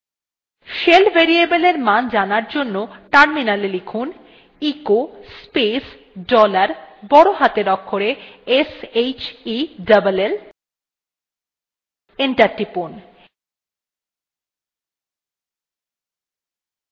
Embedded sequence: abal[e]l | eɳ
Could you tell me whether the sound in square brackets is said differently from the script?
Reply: no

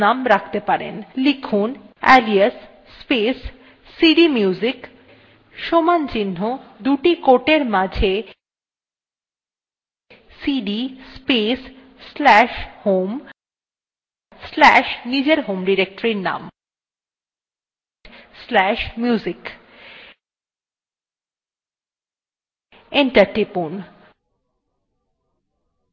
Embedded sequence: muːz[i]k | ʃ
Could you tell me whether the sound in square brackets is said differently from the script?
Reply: no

